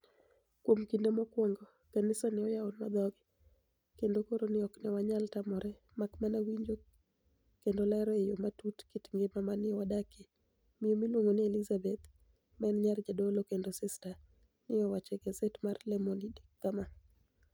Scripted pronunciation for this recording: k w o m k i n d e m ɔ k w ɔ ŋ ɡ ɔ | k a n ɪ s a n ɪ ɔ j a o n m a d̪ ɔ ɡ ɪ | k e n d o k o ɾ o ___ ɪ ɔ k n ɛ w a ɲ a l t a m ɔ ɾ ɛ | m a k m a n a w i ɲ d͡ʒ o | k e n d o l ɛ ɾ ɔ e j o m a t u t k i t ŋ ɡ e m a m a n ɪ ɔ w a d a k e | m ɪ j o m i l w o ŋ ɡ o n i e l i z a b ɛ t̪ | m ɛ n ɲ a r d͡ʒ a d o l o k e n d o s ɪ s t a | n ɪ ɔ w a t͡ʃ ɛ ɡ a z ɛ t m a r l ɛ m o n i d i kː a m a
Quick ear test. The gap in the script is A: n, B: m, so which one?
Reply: A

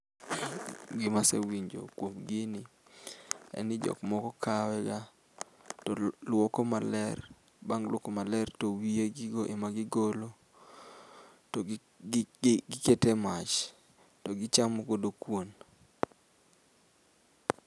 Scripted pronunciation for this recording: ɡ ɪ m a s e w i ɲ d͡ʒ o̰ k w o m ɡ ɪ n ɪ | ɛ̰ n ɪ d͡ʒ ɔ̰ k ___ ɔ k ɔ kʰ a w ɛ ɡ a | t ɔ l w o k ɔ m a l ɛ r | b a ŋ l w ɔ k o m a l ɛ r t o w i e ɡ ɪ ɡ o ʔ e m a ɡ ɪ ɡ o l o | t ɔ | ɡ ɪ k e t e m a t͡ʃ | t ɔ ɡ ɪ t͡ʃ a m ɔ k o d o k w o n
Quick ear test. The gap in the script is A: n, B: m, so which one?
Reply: B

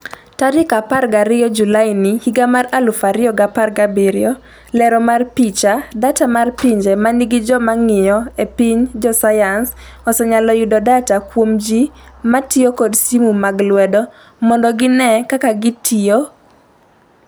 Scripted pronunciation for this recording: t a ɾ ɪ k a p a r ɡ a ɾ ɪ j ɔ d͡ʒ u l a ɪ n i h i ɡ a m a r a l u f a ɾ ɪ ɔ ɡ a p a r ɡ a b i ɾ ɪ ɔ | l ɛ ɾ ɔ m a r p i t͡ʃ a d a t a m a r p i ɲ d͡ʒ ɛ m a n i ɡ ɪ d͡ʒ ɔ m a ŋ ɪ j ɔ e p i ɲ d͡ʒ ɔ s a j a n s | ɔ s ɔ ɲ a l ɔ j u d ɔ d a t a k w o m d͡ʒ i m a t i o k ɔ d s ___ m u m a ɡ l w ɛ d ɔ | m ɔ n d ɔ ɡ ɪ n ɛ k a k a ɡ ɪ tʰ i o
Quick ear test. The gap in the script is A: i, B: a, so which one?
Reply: A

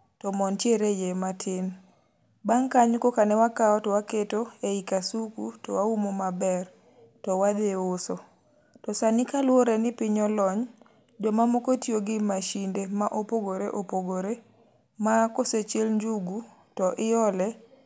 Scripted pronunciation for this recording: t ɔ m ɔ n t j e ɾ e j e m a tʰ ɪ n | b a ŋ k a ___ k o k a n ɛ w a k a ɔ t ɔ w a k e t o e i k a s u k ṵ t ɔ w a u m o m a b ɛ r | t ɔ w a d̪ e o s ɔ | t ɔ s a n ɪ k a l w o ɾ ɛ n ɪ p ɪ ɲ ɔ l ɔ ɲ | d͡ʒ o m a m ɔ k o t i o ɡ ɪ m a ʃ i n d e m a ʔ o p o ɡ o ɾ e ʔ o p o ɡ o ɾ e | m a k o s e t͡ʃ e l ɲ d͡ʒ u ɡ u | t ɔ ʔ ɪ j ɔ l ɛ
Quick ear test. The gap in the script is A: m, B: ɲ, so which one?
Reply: B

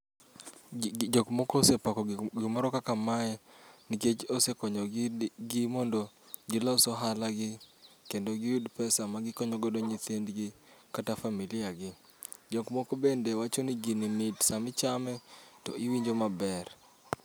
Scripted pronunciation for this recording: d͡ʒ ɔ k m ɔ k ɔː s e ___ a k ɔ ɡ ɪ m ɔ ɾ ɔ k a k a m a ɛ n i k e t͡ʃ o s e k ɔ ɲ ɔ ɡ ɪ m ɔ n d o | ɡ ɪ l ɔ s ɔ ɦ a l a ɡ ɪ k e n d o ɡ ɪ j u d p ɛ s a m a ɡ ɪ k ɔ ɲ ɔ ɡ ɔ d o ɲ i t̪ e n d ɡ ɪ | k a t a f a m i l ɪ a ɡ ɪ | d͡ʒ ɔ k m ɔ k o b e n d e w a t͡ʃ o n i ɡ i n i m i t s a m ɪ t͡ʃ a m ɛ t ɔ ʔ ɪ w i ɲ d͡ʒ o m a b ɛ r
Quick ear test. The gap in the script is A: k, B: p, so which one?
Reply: B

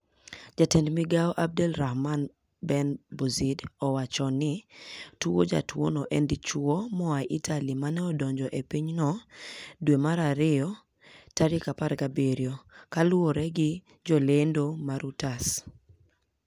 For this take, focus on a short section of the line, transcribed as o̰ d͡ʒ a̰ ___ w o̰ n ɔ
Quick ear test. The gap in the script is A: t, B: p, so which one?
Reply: A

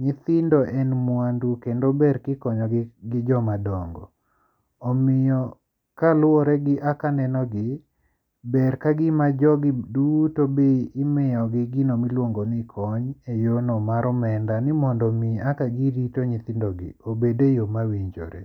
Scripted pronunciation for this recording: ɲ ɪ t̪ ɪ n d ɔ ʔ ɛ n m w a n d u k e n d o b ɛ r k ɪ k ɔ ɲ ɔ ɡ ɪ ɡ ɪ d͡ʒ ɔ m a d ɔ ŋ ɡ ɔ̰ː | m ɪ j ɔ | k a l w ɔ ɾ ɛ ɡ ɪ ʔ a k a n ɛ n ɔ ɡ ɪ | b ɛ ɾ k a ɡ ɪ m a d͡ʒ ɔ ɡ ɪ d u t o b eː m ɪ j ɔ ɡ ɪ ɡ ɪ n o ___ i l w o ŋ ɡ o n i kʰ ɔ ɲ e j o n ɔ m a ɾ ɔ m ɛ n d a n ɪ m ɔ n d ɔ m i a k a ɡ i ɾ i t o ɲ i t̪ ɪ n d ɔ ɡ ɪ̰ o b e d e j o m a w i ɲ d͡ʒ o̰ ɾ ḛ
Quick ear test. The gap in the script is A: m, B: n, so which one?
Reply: A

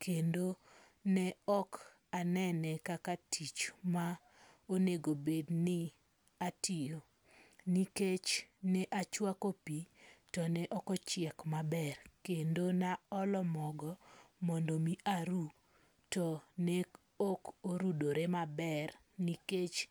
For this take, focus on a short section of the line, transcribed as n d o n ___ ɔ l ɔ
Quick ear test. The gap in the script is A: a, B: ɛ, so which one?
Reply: A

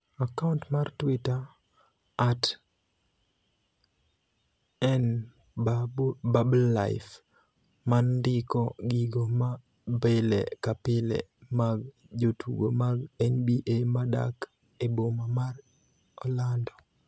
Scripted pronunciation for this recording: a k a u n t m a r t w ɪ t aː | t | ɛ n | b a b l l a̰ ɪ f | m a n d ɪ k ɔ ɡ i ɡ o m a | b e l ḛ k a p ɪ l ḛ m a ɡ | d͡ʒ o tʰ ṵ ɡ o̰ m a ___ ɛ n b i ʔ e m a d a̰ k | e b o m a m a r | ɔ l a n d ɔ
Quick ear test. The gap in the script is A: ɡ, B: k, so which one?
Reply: A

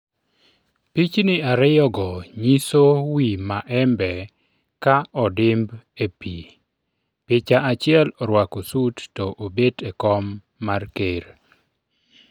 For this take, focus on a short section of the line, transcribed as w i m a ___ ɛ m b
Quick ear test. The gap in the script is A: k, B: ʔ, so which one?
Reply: B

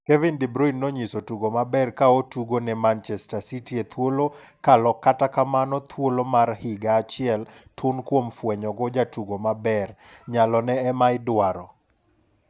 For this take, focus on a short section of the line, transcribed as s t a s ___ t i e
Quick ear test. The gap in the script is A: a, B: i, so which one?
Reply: B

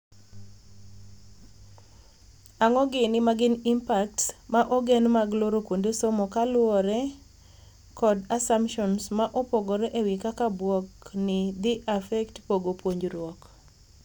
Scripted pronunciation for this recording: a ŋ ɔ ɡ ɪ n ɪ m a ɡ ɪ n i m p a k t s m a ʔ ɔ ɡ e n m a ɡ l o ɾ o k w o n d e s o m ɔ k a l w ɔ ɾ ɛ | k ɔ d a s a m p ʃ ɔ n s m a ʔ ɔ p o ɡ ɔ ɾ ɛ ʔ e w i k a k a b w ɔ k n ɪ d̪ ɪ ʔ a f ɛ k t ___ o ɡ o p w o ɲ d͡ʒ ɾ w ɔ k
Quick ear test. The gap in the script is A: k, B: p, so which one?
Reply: B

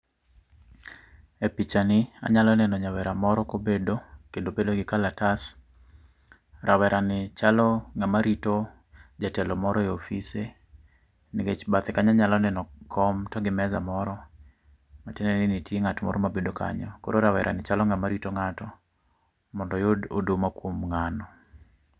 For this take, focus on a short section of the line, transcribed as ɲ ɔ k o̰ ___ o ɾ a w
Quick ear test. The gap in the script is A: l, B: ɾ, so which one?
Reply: B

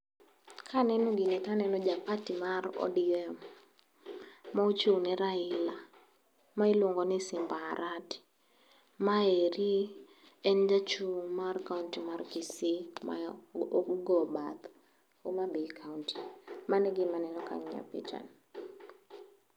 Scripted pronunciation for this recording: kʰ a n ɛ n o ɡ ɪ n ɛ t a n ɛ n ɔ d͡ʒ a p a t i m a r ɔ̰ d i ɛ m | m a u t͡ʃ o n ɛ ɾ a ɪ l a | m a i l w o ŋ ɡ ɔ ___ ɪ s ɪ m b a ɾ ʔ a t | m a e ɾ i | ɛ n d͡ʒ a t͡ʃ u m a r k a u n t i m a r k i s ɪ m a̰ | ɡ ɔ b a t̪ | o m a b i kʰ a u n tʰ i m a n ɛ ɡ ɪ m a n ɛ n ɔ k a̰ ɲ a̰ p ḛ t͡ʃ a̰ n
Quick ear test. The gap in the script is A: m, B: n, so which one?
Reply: B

